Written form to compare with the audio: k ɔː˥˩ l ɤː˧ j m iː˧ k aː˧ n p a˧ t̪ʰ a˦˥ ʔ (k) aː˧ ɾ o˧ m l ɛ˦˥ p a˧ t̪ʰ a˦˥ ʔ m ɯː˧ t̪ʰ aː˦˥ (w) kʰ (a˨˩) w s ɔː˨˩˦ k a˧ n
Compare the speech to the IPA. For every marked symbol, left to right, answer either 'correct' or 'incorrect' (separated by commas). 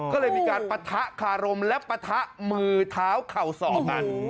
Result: incorrect, correct, correct